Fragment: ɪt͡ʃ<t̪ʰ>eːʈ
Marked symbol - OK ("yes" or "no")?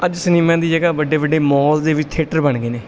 yes